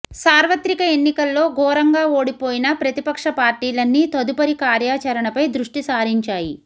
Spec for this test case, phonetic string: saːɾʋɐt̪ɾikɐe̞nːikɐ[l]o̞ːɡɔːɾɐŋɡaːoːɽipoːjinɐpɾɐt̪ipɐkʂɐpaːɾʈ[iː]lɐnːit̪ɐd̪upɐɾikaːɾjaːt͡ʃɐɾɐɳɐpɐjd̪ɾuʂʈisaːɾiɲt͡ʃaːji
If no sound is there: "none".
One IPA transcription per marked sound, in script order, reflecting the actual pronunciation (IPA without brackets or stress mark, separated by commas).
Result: lː, iː